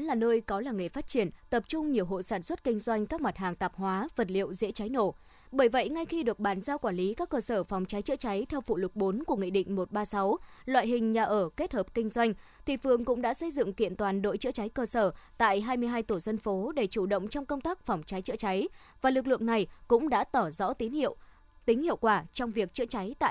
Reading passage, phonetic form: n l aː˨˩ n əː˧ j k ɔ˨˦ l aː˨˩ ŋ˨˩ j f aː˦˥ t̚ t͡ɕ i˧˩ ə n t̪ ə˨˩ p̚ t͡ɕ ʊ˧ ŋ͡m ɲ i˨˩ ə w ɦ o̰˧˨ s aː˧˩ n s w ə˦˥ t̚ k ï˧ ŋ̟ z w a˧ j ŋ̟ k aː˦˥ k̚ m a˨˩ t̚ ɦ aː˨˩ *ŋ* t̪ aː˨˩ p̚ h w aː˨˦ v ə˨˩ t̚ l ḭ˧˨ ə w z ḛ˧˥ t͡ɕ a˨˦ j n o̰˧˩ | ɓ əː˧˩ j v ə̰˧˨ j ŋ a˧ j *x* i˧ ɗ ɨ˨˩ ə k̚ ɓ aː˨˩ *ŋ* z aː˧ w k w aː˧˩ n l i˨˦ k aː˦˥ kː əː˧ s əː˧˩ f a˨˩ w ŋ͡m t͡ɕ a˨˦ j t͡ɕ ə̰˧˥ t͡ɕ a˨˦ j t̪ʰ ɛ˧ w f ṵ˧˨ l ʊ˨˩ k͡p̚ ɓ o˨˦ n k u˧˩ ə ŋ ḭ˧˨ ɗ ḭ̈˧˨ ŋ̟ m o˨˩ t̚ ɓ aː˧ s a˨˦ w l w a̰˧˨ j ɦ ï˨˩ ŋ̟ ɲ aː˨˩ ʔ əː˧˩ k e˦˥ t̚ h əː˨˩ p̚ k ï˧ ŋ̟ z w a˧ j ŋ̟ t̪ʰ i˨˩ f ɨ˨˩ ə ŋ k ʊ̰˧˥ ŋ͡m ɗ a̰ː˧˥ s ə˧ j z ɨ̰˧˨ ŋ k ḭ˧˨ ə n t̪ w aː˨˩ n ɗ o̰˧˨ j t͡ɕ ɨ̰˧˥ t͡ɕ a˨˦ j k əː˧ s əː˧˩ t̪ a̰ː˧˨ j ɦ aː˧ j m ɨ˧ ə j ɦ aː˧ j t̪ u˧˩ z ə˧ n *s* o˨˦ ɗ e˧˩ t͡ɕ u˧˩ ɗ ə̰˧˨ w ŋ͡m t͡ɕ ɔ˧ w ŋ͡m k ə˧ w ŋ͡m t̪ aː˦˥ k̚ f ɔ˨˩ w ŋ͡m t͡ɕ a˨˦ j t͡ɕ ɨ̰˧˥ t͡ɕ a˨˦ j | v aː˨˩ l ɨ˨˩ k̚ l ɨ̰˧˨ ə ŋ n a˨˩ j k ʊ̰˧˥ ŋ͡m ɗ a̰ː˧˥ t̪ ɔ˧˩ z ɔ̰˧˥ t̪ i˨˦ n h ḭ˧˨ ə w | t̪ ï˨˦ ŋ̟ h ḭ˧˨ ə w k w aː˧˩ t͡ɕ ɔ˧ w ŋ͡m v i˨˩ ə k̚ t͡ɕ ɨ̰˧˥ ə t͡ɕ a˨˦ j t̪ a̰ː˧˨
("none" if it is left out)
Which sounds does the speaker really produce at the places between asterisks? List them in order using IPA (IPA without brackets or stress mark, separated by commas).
ŋ, x, n, f